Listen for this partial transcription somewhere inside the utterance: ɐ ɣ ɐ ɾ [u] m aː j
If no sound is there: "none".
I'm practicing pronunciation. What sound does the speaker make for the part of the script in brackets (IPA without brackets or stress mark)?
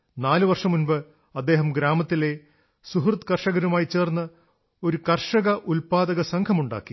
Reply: u